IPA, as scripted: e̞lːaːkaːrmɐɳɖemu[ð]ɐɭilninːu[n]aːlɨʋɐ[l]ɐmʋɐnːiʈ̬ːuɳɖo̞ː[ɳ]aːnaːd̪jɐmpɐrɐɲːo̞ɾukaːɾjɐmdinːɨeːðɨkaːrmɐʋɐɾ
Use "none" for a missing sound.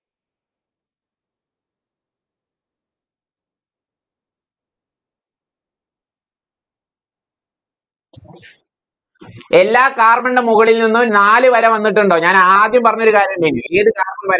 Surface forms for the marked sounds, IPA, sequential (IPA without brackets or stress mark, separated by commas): ɣ, n, ɾ, ɲ